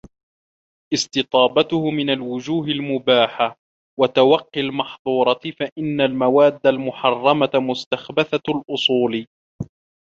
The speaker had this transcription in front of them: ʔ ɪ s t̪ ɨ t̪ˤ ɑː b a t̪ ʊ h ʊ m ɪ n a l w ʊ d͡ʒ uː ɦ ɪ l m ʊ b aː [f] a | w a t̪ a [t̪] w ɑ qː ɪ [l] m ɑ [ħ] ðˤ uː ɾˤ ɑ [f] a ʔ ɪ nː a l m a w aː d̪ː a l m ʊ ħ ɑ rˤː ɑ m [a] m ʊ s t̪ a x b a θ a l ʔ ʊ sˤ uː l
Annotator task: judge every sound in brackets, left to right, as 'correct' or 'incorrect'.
incorrect, incorrect, correct, correct, correct, correct

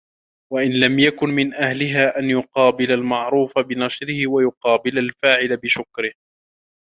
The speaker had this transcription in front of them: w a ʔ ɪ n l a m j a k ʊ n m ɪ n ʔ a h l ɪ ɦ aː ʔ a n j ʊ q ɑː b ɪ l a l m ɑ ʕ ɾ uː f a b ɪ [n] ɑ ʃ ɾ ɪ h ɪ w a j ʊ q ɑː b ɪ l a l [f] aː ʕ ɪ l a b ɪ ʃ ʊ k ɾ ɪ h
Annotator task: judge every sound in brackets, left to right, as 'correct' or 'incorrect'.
correct, correct

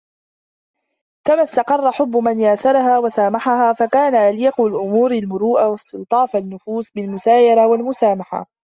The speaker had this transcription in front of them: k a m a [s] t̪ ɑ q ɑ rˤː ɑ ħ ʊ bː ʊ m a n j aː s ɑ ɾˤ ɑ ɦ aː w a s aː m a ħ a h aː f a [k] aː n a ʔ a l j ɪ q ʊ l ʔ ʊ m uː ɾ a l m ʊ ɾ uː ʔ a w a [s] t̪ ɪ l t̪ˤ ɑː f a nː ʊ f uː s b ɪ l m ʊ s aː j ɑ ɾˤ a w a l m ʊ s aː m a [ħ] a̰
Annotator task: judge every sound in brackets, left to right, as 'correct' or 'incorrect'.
correct, correct, correct, correct

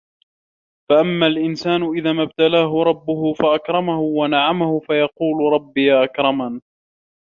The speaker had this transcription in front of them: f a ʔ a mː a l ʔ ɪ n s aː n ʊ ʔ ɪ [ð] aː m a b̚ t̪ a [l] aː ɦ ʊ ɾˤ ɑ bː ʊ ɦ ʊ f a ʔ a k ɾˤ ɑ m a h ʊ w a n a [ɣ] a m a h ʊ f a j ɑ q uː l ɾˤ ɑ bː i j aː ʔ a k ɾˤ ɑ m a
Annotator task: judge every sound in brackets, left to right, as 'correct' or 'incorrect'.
correct, correct, incorrect

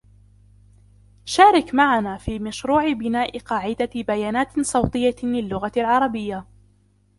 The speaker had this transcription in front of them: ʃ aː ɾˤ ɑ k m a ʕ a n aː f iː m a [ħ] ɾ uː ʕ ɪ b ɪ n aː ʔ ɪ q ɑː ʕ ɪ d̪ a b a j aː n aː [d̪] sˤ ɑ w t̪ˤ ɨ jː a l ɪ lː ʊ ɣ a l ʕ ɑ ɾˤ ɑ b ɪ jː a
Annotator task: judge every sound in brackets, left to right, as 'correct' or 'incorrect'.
incorrect, incorrect

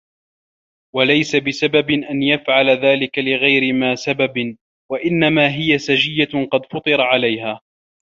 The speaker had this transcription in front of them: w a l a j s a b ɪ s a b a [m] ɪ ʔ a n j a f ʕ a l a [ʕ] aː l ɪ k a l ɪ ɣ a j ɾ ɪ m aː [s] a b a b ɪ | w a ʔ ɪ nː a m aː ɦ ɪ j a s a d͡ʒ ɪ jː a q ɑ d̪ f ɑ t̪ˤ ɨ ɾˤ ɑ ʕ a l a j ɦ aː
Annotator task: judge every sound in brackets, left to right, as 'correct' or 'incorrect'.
incorrect, incorrect, correct

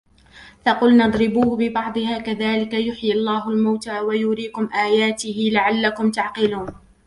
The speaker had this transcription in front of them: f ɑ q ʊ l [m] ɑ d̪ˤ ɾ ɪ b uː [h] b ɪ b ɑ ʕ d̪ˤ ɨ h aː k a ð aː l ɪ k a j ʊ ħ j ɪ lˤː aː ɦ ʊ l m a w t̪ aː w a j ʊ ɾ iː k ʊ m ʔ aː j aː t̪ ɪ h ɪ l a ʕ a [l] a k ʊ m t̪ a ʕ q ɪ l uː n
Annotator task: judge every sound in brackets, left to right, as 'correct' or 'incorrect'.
incorrect, correct, incorrect

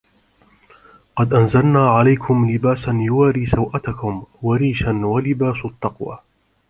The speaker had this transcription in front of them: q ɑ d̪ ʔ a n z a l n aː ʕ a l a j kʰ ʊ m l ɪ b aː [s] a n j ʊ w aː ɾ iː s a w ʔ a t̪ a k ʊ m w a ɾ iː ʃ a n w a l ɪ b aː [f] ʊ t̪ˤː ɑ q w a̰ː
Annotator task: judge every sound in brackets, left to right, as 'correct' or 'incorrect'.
correct, incorrect

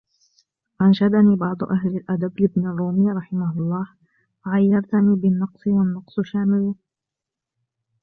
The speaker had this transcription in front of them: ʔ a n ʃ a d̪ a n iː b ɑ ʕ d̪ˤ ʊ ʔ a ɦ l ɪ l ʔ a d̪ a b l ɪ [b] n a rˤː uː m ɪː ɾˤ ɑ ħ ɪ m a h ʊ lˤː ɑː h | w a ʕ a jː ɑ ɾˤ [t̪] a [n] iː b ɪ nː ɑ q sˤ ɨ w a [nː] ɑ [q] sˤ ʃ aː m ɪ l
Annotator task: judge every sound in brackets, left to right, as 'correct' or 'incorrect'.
correct, correct, correct, correct, correct

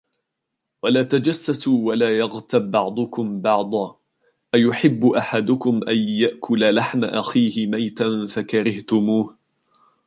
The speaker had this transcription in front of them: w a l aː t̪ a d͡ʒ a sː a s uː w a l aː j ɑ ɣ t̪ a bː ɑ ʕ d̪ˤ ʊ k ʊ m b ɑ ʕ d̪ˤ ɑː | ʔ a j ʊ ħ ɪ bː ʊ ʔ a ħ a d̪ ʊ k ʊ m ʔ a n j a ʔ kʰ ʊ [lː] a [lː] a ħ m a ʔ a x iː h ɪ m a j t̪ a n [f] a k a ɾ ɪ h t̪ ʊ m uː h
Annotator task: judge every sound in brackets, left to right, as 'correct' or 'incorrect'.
incorrect, incorrect, correct

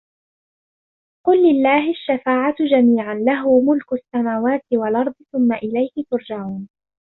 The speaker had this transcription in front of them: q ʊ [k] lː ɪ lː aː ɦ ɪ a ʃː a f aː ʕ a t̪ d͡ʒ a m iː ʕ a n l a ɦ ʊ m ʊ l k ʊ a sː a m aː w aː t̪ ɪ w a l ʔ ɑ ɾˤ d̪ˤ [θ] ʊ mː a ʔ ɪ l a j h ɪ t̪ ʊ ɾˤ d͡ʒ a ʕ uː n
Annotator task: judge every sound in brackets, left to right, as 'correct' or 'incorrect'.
incorrect, correct

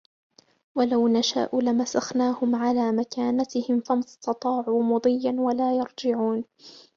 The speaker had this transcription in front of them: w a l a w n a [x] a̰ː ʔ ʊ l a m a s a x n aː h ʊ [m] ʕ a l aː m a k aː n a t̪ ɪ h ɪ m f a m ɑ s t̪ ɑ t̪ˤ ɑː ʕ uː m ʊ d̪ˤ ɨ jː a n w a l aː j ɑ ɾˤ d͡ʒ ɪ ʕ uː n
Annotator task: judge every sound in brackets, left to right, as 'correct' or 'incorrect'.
incorrect, correct

